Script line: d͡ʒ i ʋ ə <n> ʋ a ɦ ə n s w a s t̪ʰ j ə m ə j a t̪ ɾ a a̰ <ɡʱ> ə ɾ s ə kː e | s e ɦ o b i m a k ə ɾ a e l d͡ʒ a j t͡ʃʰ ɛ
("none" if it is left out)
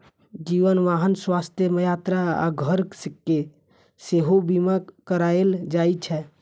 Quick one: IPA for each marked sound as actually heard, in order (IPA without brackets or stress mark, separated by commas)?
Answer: n, ɡʱ